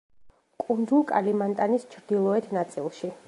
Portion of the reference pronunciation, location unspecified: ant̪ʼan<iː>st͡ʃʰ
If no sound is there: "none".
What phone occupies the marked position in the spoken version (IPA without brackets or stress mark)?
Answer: i